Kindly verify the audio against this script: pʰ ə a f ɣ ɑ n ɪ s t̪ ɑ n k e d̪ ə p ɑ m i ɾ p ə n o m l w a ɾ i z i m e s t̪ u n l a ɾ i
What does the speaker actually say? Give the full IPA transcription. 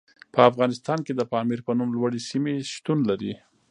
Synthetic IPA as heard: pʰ ə a f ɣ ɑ n ɪ s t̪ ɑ n k e d̪ ə p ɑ m i ɾ p ə n u m l w a ɽ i s i m e ʃ t̪ u n l a ɾ i